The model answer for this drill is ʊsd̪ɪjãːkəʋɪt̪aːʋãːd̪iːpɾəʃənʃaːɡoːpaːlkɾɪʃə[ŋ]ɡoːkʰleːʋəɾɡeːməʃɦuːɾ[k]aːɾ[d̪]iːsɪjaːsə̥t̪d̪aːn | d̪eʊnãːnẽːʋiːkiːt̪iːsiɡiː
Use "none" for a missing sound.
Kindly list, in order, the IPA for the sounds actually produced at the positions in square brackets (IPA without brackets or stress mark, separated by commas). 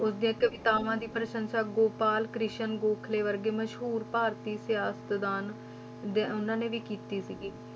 n, p, t̪